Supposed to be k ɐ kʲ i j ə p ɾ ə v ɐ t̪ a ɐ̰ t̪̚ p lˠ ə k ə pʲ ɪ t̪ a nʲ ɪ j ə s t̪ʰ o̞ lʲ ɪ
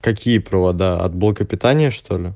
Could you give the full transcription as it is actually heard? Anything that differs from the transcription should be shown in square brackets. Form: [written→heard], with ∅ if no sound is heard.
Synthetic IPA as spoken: k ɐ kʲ i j ə p ɾ ə v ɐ [t̪→d̪] a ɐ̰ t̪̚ [p→b] lˠ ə k ə pʲ ɪ t̪ a nʲ ɪ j ə [s→ʂ] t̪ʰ o̞ lʲ ɪ